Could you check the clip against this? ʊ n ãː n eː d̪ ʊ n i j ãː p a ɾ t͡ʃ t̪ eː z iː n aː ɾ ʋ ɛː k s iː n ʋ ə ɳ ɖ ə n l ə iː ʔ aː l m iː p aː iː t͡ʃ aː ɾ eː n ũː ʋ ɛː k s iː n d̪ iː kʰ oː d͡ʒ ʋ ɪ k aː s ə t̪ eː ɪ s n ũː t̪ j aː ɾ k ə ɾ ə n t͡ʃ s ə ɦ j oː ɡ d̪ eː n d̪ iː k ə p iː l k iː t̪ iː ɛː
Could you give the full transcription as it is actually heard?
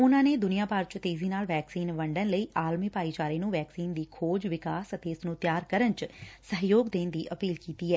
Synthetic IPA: ʊ n ãː n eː d̪ ʊ n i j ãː p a ɾ t͡ʃ t̪ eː z iː n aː l ʋ ɛː k s iː n ʋ ə ɳ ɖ ə n l ə iː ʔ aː l m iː p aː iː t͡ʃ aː ɾ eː n ũː ʋ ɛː k s iː n d̪ iː kʰ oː d͡ʒ ʋ ɪ k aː s ə t̪ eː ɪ s n ũː t̪ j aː ɾ k ə ɾ ə n t͡ʃ s ə ɦ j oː ɡ d̪ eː n d̪ iː ʔ ə p iː l k iː t̪ iː ɛː